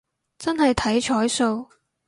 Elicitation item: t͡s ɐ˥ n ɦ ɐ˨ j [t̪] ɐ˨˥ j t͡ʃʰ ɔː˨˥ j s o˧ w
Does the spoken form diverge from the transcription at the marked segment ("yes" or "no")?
yes